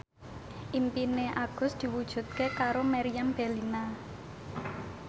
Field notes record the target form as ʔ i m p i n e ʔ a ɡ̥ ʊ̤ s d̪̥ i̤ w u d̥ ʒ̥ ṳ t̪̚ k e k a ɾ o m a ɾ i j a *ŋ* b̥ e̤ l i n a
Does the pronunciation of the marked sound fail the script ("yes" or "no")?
yes